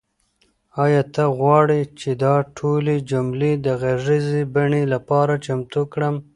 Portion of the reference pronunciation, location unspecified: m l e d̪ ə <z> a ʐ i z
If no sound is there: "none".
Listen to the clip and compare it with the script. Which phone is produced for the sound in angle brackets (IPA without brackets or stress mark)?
ɣ